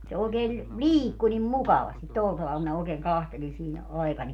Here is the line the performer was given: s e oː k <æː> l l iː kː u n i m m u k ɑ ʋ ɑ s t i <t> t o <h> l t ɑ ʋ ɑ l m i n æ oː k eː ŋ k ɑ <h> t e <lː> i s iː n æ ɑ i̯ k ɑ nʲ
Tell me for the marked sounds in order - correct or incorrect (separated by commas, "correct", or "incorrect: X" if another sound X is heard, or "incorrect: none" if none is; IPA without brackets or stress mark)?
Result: incorrect: eː, correct, incorrect: none, correct, incorrect: l